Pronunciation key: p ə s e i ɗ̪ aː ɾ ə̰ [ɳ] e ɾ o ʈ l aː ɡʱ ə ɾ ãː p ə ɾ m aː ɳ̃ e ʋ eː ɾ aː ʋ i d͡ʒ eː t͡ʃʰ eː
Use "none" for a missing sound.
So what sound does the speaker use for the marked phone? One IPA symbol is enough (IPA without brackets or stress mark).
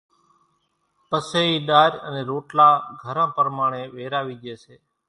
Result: n